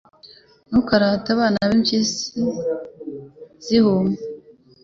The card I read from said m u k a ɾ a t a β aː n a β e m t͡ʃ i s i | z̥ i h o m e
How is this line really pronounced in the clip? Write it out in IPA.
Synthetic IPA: n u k a ɾ a t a β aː n a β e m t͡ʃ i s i | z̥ i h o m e